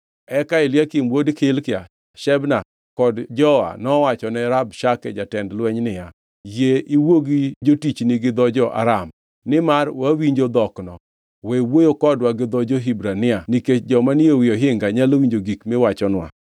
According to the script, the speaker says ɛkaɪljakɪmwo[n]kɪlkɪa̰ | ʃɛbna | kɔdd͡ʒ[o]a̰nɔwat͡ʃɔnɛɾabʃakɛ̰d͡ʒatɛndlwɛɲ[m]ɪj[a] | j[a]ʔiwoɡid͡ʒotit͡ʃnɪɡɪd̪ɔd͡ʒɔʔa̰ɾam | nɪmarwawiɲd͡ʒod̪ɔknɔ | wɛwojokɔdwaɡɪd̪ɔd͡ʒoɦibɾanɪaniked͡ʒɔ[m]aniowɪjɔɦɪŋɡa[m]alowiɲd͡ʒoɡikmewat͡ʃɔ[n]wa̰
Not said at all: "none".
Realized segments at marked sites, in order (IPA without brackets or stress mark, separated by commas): d, ɔ, n, a, e, m, ɲ, n